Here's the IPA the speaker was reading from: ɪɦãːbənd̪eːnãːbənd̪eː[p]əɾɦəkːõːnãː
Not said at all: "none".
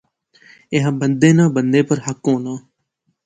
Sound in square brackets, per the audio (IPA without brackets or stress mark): p